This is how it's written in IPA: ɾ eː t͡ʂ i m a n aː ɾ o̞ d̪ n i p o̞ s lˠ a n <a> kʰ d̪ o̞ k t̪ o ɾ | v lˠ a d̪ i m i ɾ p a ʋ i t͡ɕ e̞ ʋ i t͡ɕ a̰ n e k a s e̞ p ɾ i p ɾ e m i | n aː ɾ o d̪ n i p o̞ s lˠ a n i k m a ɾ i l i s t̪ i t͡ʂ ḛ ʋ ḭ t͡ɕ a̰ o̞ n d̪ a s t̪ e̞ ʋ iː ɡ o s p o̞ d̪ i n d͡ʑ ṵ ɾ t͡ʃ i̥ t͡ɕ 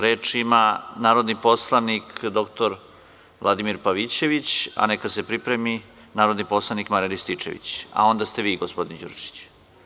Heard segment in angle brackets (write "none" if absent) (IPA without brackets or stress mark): i